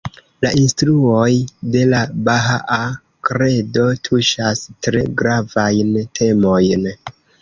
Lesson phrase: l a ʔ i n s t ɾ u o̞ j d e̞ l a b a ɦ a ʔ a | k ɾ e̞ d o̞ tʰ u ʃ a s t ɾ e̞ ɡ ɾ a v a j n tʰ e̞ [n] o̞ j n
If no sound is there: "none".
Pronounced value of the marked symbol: m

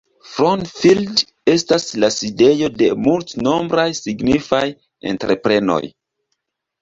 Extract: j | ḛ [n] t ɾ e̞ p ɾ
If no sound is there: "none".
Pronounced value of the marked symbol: n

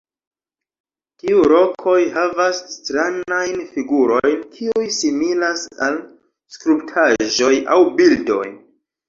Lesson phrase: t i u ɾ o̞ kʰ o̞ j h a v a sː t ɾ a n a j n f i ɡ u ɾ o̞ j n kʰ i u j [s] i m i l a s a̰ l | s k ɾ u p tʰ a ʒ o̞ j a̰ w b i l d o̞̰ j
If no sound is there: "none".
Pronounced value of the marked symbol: s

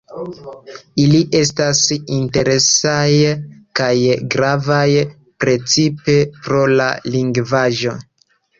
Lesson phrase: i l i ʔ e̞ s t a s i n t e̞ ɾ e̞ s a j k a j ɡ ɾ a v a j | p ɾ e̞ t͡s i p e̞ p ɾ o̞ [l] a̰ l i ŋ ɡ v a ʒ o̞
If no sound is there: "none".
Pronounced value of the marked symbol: l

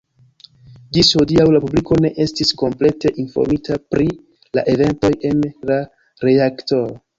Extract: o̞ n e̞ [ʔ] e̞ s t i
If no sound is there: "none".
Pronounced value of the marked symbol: ʔ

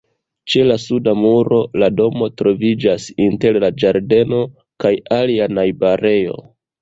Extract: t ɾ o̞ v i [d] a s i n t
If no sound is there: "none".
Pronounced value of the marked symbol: d͡ʒ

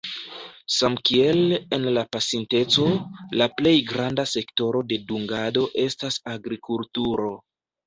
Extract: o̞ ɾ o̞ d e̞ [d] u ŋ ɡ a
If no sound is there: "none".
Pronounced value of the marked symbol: d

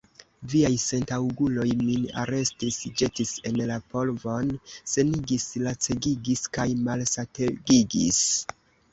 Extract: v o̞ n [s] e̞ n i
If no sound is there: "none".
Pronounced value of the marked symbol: s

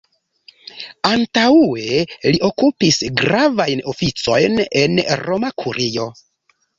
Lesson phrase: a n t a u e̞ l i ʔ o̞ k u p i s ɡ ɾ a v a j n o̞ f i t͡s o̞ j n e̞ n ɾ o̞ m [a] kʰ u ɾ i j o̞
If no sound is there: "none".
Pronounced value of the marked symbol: a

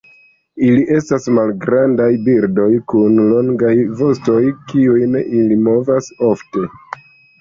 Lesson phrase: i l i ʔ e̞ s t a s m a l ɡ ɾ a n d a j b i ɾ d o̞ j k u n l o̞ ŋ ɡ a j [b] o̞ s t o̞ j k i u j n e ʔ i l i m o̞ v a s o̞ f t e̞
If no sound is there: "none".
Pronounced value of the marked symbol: v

